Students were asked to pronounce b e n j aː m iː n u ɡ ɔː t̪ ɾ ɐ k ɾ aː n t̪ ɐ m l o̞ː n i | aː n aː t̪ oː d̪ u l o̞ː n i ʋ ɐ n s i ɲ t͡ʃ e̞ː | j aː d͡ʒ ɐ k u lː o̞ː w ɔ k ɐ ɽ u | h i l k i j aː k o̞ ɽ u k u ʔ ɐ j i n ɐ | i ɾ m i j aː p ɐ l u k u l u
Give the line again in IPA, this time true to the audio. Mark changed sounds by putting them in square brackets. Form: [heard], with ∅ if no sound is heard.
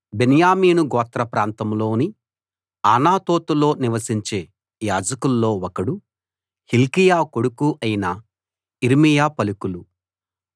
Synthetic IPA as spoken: b e n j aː m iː n u ɡ ɔː t̪ ɾ ɐ [p] ɾ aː n t̪ ɐ m l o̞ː n i | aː n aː t̪ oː [t̪] u l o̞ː n i ʋ ɐ [∅] s i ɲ t͡ʃ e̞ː | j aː d͡ʒ ɐ k u lː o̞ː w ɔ k ɐ ɽ u | h i l k i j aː k o̞ ɽ u k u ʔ ɐ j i n ɐ | i ɾ m i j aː p ɐ l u k u l u

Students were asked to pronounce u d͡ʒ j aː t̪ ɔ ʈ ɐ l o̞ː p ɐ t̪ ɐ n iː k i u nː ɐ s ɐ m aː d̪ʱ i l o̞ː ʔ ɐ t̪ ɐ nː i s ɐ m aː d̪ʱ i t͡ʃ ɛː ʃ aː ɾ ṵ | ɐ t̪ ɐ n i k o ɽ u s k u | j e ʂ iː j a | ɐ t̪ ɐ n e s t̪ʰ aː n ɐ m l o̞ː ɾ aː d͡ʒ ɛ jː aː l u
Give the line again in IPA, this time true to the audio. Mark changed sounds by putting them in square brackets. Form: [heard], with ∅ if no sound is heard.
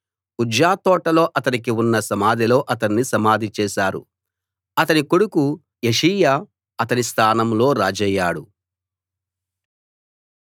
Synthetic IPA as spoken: u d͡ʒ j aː t̪ [ɔː] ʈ ɐ l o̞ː [ʔ] ɐ t̪ ɐ n [i] k i u nː ɐ s ɐ m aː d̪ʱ i l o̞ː ʔ ɐ t̪ ɐ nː i s ɐ m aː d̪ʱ i t͡ʃ ɛː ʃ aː ɾ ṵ | ɐ t̪ ɐ n i k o ɽ u [∅] k u | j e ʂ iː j a | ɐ t̪ ɐ n [i] s t̪ʰ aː n ɐ m l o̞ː ɾ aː d͡ʒ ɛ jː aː [ɽ] u

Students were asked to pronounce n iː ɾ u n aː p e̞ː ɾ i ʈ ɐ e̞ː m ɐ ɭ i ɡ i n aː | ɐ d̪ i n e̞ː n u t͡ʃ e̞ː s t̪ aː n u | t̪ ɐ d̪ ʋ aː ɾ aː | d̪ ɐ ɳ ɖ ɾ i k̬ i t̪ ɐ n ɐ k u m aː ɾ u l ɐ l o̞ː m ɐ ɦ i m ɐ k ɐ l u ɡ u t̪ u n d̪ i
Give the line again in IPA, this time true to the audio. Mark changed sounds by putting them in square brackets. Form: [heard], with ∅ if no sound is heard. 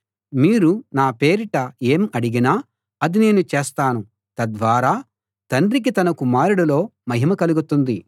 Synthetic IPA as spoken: [m] iː ɾ u n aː p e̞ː ɾ i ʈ ɐ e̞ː m ɐ [ɽ] i ɡ i n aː | ɐ d̪ i n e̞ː n u t͡ʃ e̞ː s t̪ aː n u | t̪ ɐ d̪ ʋ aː ɾ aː | [t̪] ɐ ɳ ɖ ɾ i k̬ i t̪ ɐ n ɐ k u m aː ɾ u [ɽ] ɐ l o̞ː m ɐ ɦ i m ɐ k ɐ l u ɡ u t̪ u n d̪ i

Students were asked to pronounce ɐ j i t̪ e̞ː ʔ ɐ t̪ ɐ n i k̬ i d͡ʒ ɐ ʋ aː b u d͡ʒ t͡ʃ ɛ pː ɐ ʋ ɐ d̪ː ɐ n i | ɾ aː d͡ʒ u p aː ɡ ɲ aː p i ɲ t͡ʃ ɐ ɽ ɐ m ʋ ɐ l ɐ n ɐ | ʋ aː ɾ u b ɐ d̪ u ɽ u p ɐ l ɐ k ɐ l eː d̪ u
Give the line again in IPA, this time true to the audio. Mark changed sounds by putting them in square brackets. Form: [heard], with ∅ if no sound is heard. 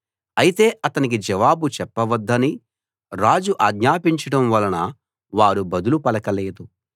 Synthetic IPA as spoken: ɐ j i t̪ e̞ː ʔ ɐ t̪ ɐ n i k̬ i d͡ʒ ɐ ʋ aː b u [∅] t͡ʃ ɛ pː ɐ ʋ ɐ d̪ː ɐ n i | ɾ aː d͡ʒ u [ʔ] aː ɡ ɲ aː p i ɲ t͡ʃ ɐ ɽ ɐ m ʋ ɐ l ɐ n ɐ | ʋ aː ɾ u b ɐ d̪ u [l] u p ɐ l ɐ k ɐ l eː d̪ u

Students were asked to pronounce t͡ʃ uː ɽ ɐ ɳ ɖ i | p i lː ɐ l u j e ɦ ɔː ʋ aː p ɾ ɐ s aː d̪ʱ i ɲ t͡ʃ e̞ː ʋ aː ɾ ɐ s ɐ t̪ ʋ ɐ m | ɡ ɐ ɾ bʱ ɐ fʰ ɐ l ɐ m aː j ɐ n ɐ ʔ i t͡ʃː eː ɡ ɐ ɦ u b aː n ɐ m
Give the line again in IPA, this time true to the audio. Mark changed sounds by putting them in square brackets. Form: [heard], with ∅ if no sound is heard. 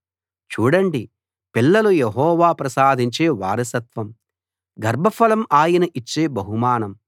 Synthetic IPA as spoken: t͡ʃ uː ɽ ɐ ɳ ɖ i | p i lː ɐ l u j e ɦ ɔː ʋ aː p ɾ ɐ s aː d̪ʱ i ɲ t͡ʃ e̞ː ʋ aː ɾ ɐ s ɐ t̪ ʋ ɐ m | ɡ ɐ ɾ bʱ ɐ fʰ ɐ l ɐ m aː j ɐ n ɐ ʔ i t͡ʃː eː [b] ɐ ɦ u [m] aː n ɐ m

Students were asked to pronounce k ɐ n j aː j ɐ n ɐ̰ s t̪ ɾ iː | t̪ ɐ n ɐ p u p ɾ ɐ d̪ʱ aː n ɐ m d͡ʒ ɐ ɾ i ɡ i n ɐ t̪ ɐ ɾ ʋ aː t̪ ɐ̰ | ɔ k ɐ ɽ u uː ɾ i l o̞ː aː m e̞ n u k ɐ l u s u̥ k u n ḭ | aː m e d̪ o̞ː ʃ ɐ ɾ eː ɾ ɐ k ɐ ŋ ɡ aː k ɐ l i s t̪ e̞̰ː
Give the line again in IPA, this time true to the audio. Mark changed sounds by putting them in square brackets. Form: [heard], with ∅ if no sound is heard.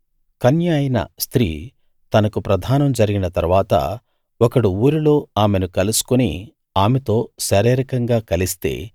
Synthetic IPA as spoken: k ɐ n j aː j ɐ n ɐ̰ s t̪ ɾ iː | t̪ ɐ n ɐ [k] u p ɾ ɐ d̪ʱ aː n ɐ m d͡ʒ ɐ ɾ i ɡ i n ɐ t̪ ɐ ɾ ʋ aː t̪ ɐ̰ | ɔ k ɐ ɽ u uː ɾ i l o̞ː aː m e̞ n u k ɐ l u s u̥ k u n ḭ | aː m e [t̪] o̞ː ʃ ɐ ɾ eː ɾ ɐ k ɐ ŋ ɡ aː k ɐ l i s t̪ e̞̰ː

